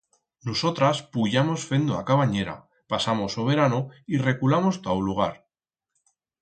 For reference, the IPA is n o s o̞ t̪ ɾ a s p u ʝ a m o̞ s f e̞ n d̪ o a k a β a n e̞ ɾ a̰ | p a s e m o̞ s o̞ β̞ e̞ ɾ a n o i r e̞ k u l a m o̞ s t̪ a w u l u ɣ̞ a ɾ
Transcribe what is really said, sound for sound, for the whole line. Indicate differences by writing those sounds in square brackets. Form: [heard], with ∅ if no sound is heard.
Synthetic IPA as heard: n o s o̞ t̪ ɾ a s p u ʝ a m o̞ s f e̞ n d̪ o a k a β a [ɲ] e̞ ɾ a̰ | p a s [a] m o̞ s o̞ β̞ e̞ ɾ a n o i r e̞ k u l a m o̞ s t̪ a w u l u ɣ̞ a ɾ

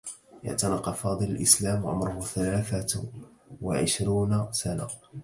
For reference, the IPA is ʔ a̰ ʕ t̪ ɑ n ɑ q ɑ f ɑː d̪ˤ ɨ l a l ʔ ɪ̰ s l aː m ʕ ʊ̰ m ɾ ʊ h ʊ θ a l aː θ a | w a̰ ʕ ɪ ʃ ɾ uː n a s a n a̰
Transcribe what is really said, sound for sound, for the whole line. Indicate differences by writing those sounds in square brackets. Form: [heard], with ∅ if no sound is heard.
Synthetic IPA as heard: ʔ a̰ ʕ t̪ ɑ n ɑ q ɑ f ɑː d̪ˤ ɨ l a l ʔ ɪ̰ s l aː m ʕ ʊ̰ m ɾ ʊ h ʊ θ a l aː θ a | w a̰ ʕ ɪ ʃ ɾ uː n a s a n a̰

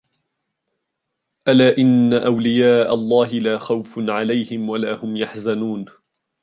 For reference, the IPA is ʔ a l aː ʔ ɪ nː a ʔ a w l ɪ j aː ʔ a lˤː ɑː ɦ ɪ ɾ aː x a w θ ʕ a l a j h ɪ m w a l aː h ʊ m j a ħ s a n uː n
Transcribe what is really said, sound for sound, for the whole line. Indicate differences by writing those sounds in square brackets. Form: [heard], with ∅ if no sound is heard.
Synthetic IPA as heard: ʔ a l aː ʔ ɪ nː a ʔ a w l ɪ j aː ʔ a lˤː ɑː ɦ ɪ [l] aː x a w [f] ʕ a l a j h ɪ m w a l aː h ʊ m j a ħ [z] a n uː n

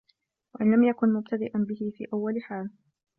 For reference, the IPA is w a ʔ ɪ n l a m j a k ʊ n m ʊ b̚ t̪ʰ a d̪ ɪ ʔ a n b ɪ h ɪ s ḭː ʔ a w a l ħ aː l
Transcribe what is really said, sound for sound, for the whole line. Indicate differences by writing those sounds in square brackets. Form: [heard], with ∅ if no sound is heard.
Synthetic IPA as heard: w a ʔ ɪ n l a m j a k ʊ n m ʊ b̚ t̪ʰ a d̪ ɪ ʔ a n b ɪ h ɪ [f] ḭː ʔ a [wː] a l ħ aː l

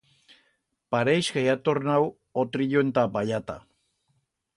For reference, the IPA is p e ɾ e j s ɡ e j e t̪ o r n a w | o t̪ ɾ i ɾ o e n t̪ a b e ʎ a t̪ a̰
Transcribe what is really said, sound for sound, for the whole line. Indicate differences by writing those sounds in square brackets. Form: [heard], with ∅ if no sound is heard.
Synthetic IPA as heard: p [a] ɾ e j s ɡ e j [a] t̪ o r n a w | o t̪ ɾ i [ʎ] o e n t̪ a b [a] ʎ a t̪ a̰

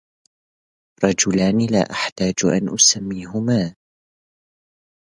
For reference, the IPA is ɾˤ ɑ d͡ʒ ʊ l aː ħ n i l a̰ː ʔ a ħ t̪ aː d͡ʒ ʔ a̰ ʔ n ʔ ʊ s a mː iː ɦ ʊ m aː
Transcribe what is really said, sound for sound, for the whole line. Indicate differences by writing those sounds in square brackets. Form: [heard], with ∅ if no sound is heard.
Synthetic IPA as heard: ɾˤ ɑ d͡ʒ ʊ l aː [∅] n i l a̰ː ʔ a ħ t̪ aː d͡ʒ ʔ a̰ [∅] n ʔ ʊ s a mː iː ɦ ʊ m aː

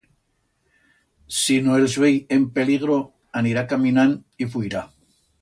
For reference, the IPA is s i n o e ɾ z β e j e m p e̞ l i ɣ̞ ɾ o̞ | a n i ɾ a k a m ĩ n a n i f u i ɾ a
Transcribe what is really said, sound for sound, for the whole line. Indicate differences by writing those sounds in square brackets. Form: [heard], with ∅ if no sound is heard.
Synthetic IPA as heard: s i n o e [l] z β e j e m p e̞ l i ɣ̞ ɾ o̞ | a n i ɾ a k a m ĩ n a n i f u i ɾ a

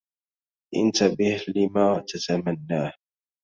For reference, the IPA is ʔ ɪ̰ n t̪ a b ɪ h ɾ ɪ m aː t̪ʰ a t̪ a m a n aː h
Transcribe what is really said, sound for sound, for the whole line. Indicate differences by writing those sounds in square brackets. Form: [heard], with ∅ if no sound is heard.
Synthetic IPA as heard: ʔ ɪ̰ n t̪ a b ɪ h [l] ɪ m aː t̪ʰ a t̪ a m a [nː] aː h

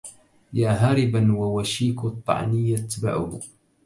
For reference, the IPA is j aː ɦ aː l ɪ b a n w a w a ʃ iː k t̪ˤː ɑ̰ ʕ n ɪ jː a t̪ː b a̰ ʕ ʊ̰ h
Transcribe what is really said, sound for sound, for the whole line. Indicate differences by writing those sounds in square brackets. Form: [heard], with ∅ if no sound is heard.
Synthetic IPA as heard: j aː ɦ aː [ɾ] ɪ b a n w a w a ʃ iː k t̪ˤː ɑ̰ ʕ n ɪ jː a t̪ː b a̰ ʕ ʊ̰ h

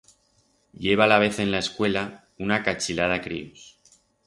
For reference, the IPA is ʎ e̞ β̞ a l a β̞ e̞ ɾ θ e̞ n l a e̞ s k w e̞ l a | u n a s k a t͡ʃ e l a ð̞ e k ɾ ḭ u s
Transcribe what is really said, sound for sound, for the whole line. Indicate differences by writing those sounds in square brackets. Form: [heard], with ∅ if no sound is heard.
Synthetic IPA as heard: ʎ e̞ β̞ a l a β̞ e̞ [∅] θ e̞ n l a e̞ s k w e̞ l a | u n a [∅] k a t͡ʃ [i] l a ð̞ [a] k ɾ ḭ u s

